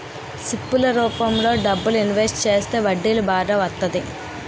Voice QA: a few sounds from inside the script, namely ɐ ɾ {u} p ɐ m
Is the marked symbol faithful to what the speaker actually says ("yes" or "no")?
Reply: no